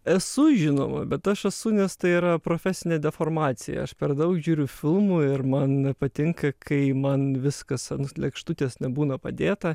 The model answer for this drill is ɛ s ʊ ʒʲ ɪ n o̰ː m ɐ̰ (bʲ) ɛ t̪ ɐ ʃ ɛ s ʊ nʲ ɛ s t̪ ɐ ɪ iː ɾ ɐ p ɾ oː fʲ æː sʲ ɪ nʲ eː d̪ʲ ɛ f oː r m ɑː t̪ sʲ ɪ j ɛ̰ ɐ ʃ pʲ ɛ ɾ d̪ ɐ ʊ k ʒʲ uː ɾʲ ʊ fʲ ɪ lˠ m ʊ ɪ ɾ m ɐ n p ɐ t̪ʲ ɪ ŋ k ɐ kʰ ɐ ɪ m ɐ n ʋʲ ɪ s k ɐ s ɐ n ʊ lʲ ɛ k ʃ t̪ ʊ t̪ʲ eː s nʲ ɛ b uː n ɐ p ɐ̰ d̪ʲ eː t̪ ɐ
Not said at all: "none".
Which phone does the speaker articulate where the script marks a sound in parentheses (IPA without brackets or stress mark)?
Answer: bʲ